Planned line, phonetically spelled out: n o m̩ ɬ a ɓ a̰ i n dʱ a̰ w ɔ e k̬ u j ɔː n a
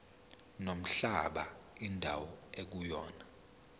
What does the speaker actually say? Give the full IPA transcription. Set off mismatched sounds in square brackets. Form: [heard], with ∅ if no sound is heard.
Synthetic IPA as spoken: n o m̩ ɬ a ɓ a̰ i n dʱ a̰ w ɔ e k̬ u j ɔː n a